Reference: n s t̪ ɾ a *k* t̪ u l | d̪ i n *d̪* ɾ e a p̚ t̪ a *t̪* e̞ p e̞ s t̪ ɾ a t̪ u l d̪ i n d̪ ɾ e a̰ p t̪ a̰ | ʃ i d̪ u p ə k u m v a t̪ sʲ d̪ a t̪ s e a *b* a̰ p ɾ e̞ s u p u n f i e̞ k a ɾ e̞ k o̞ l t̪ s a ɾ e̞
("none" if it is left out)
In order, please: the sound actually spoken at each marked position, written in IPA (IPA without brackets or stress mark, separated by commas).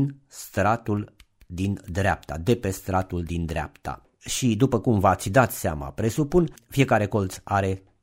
none, d̪, d̪, m